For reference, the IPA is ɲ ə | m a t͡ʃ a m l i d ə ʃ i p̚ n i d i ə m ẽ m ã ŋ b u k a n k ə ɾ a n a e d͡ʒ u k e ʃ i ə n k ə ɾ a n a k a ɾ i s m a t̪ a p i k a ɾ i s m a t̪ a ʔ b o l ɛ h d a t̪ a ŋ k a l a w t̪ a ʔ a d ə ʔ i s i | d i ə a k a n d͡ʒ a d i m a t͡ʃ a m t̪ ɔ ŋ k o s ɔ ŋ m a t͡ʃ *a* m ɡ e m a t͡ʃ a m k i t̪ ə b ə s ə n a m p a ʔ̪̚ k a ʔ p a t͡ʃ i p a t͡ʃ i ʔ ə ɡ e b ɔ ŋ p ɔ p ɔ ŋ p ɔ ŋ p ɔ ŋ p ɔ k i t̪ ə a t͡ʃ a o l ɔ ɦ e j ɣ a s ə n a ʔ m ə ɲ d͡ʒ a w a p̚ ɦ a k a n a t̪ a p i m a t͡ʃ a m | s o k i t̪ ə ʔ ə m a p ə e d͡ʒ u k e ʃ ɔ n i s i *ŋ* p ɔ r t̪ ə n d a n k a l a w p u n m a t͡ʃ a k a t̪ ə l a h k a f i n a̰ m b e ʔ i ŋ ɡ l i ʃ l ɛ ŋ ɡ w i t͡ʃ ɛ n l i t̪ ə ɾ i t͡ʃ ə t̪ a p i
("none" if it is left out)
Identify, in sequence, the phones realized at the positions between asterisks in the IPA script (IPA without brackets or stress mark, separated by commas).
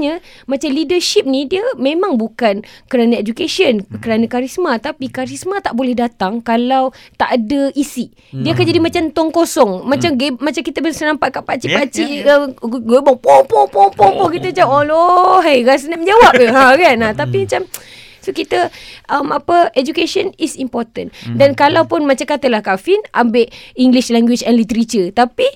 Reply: a, m